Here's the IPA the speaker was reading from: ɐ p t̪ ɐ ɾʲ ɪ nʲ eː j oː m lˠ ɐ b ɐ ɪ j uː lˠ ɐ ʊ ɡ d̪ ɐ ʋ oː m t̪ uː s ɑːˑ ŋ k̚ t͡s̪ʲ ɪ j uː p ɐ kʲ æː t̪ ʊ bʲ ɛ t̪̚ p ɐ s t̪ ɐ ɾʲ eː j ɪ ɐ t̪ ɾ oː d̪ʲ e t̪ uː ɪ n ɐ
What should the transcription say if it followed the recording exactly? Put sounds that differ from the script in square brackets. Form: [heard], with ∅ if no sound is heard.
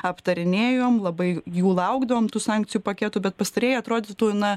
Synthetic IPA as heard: ɐ p t̪ ɐ ɾʲ ɪ nʲ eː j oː m lˠ ɐ b ɐ ɪ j uː lˠ ɐ ʊ ɡ d̪ ɐ ʋ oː m t̪ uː s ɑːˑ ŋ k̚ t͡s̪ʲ ɪ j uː p ɐ kʲ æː t̪ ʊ bʲ ɛ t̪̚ p ɐ s t̪ ɐ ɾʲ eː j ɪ ɐ t̪ ɾ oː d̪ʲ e t̪ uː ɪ n ɐ

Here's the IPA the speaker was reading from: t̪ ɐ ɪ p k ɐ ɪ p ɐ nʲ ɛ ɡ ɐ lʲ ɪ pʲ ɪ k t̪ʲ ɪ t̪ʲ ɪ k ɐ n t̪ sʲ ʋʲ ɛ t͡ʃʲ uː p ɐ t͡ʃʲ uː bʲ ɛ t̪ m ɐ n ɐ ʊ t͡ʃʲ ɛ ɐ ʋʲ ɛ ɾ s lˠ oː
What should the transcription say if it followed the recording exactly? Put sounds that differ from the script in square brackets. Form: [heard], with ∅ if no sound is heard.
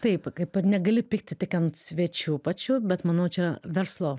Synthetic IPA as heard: t̪ ɐ ɪ p k ɐ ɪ p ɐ nʲ ɛ ɡ ɐ lʲ ɪ pʲ ɪ k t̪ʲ ɪ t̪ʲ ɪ k ɐ n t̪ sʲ ʋʲ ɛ t͡ʃʲ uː p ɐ t͡ʃʲ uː bʲ ɛ t̪ m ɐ n ɐ ʊ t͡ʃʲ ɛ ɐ ʋʲ ɛ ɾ s lˠ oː

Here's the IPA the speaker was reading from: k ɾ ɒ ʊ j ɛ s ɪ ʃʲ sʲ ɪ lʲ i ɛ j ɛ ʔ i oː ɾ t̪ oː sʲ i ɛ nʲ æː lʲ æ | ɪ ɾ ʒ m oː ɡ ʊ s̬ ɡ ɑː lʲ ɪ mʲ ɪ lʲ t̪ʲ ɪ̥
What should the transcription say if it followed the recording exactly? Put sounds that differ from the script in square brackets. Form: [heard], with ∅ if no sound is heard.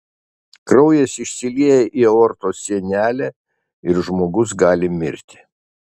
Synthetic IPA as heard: k ɾ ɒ ʊ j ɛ s ɪ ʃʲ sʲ ɪ lʲ i ɛ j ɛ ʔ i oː ɾ t̪ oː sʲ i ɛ nʲ æː lʲ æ | ɪ ɾ ʒ m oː ɡ ʊ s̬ ɡ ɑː lʲ ɪ mʲ ɪ [ɾʲ] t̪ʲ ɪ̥

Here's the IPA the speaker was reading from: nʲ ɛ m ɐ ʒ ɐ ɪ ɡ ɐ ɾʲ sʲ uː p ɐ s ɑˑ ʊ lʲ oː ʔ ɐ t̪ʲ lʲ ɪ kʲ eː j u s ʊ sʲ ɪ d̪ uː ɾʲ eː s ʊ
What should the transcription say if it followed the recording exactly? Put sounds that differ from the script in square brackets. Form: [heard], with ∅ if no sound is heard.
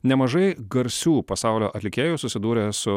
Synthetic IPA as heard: nʲ ɛ m ɐ ʒ ɐ ɪ ɡ ɐ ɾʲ sʲ uː p ɐ s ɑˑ ʊ lʲ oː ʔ ɐ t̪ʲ lʲ ɪ kʲ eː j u s ʊ sʲ ɪ d̪ uː ɾʲ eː s ʊ

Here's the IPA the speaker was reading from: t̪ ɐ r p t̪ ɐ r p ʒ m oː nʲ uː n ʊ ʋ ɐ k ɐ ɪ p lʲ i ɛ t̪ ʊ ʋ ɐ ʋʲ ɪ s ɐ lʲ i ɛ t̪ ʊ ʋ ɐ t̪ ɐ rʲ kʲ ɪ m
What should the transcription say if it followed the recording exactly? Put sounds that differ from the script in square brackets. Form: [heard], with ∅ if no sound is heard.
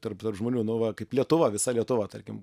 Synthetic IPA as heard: t̪ ɐ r p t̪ ɐ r p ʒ m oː nʲ uː n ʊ ʋ ɐ k ɐ ɪ p lʲ i ɛ t̪ ʊ ʋ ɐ ʋʲ ɪ s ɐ lʲ i ɛ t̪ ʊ ʋ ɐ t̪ ɐ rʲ kʲ ɪ m

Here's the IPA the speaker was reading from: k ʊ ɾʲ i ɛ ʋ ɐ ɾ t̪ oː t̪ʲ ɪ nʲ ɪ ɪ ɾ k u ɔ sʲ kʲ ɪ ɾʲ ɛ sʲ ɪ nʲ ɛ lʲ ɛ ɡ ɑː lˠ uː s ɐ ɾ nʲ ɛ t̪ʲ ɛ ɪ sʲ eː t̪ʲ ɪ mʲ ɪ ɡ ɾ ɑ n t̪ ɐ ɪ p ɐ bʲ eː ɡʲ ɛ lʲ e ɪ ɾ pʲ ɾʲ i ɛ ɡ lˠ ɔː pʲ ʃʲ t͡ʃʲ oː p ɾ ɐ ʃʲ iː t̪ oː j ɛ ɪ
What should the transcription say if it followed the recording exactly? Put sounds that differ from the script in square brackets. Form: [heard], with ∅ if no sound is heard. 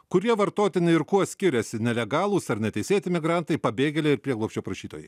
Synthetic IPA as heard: k ʊ ɾʲ i ɛ ʋ ɐ ɾ t̪ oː t̪ʲ ɪ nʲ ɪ ɪ ɾ k u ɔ sʲ kʲ ɪ ɾʲ ɛ sʲ ɪ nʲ ɛ lʲ ɛ ɡ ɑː lˠ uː s ɐ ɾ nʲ ɛ t̪ʲ ɛ ɪ sʲ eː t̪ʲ ɪ mʲ ɪ ɡ ɾ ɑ n t̪ ɐ ɪ p ɐ bʲ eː ɡʲ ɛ lʲ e ɪ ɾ pʲ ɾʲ i ɛ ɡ lˠ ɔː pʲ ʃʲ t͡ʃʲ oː p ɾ ɐ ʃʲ iː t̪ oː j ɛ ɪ

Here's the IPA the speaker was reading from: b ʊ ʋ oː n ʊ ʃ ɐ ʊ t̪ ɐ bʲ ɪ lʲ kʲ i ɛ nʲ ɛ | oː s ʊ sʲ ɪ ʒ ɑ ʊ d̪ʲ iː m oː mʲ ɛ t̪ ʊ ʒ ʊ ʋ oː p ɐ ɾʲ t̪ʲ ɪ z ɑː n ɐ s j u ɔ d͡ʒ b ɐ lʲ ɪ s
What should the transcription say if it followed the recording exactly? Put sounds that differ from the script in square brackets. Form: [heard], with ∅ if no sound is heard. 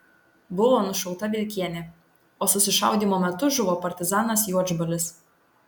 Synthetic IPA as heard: b ʊ ʋ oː n ʊ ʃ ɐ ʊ t̪ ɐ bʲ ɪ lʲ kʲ i ɛ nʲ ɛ | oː s ʊ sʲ ɪ [ʃ] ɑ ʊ d̪ʲ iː m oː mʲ ɛ t̪ ʊ ʒ ʊ ʋ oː p ɐ ɾʲ t̪ʲ ɪ z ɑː n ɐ s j u ɔ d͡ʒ b ɐ lʲ ɪ s

